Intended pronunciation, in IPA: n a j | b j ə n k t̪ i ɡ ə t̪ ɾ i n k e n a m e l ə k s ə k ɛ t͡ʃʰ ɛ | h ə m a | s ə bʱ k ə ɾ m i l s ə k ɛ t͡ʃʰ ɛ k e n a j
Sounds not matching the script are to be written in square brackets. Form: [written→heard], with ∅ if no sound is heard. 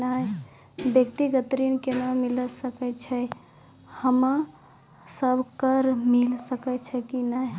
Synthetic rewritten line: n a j | b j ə [n→∅] k t̪ i ɡ ə t̪ ɾ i n k e n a m [e→i] l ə [k→∅] s ə k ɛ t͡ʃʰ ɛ | h ə m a | s ə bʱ k ə ɾ m i l s ə k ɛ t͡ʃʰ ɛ k [e→i] n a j